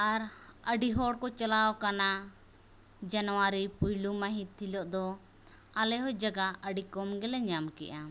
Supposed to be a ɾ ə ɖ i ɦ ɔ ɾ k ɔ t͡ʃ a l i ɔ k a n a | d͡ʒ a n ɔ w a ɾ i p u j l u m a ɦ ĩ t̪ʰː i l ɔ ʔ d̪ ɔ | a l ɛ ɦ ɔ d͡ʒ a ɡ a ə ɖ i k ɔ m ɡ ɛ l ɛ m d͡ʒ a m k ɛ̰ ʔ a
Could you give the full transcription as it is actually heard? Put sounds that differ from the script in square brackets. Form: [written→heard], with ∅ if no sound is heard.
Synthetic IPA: a ɾ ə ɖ i ɦ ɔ [ɾ→ɽ] k ɔ t͡ʃ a l [i→a] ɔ k a n a | d͡ʒ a n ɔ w a ɾ i p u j l u m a ɦ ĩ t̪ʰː i l ɔ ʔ d̪ ɔ | a l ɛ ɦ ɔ d͡ʒ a ɡ a ə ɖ i k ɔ m ɡ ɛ l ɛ [m→ɲ] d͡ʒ a m k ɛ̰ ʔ a